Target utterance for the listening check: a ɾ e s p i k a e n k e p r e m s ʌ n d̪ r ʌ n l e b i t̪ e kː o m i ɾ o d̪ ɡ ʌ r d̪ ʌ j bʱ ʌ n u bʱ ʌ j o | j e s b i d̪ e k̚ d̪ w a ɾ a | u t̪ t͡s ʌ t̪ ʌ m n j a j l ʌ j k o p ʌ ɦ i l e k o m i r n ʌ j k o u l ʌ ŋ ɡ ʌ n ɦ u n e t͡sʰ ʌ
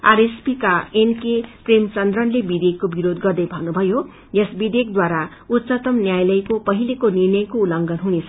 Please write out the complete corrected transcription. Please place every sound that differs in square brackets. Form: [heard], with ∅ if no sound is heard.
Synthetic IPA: a ɾ e s p i k a e n k e p r e m [t͡s] ʌ n d̪ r ʌ n l e b i [d̪] e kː o [b] i ɾ o d̪ ɡ ʌ r d̪ ʌ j bʱ ʌ n u bʱ ʌ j o | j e s b i d̪ e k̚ d̪ w a ɾ a | u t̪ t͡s ʌ t̪ ʌ m n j a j l ʌ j k o p ʌ ɦ i l e k o [n] i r n ʌ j k o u l ʌ ŋ ɡ ʌ n ɦ u n e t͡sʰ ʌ